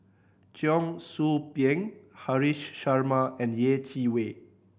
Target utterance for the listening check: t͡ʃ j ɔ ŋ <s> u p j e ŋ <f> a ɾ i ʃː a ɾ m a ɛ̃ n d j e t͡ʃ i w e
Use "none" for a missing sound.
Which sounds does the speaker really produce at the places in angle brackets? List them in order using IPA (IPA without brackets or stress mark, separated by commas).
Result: s, h